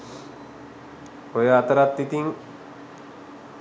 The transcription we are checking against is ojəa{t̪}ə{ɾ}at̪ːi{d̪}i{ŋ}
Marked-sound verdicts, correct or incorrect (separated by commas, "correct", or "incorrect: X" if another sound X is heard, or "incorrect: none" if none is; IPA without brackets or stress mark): correct, correct, incorrect: t̪, correct